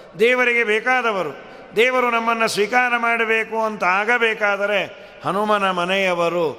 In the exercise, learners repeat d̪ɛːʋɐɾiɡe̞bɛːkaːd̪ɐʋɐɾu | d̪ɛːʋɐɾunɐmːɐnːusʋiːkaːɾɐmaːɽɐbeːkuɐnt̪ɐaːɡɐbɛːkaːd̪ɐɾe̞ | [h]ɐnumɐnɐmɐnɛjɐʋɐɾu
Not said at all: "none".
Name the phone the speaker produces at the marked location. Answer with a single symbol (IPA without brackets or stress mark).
h